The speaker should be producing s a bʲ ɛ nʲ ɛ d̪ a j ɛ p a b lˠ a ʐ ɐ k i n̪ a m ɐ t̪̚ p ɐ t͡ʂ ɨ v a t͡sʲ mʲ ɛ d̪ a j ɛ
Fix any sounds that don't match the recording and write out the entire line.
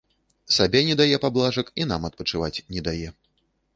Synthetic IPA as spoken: s a bʲ ɛ nʲ ɛ d̪ a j ɛ p a b lˠ a ʐ ɐ k i n̪ a m ɐ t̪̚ p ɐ t͡ʂ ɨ v a t͡sʲ nʲ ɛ d̪ a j ɛ